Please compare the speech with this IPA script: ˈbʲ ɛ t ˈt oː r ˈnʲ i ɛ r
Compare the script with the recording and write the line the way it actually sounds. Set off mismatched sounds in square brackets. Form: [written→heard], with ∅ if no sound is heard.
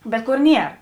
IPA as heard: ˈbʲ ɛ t [ˈt→ˈk] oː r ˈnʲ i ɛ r